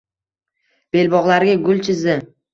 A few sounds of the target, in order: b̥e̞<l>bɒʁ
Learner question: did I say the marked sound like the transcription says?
yes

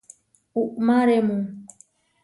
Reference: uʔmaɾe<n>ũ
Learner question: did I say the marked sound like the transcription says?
no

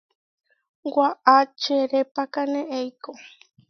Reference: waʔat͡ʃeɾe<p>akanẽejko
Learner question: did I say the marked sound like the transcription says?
yes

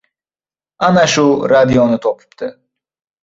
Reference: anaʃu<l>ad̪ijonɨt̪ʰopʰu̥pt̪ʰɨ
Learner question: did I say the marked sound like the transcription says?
no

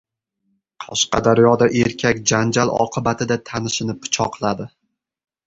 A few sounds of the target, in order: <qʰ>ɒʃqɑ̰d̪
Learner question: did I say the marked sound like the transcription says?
yes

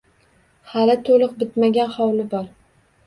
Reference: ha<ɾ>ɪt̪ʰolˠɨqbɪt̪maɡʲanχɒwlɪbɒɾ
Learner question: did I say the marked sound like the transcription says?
no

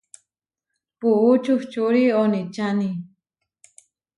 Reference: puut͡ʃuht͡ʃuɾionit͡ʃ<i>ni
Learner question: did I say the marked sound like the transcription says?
no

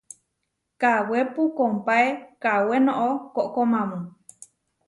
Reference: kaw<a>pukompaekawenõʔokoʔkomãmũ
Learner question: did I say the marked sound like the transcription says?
no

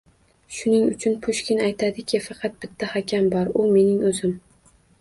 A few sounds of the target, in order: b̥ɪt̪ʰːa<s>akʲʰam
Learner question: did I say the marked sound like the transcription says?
no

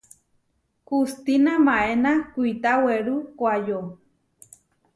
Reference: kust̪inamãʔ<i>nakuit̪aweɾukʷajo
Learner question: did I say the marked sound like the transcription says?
no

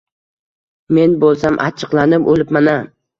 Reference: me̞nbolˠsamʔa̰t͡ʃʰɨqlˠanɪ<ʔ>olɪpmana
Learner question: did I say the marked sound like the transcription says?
no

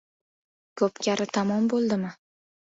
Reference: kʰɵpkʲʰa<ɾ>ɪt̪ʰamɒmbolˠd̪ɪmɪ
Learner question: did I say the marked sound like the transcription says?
yes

